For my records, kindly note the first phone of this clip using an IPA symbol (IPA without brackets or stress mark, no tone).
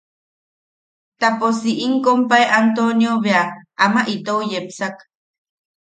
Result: t̪